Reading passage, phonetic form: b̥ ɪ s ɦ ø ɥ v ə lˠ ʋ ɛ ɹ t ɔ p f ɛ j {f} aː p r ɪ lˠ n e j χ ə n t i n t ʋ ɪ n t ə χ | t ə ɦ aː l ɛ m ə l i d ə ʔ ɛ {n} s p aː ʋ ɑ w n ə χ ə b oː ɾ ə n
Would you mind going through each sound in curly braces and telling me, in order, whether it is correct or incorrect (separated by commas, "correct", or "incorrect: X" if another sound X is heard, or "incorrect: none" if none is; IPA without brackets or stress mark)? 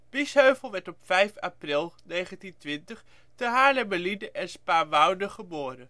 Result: correct, correct